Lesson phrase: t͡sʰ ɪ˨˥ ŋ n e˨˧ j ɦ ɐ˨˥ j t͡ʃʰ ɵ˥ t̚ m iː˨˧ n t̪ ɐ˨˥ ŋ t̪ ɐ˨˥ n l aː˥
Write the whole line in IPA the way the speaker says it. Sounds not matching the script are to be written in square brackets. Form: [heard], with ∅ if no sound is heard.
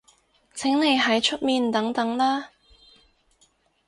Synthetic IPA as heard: t͡sʰ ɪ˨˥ ŋ n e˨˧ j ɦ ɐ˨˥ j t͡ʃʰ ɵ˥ t̚ m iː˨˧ n t̪ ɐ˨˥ ŋ t̪ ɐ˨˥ [ŋ] l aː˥